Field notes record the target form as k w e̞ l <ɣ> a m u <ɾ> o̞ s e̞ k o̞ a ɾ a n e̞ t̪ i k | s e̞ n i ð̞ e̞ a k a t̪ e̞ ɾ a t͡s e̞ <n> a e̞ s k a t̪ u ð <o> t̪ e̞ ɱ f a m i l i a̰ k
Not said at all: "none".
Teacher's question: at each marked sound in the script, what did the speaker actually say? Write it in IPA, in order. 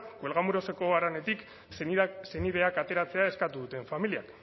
ɣ, ɾ, none, u

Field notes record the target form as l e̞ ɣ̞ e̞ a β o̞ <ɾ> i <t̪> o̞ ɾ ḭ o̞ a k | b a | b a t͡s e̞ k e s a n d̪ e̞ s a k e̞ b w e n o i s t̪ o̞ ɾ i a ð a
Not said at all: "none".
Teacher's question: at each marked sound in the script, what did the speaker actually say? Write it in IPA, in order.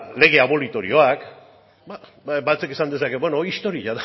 l, t̪

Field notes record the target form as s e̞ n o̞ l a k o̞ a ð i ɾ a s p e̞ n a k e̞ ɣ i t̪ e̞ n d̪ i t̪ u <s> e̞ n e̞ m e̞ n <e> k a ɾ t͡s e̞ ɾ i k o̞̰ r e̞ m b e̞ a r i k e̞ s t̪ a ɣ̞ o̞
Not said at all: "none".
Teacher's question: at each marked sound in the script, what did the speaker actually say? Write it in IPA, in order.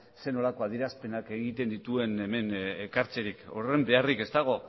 none, e

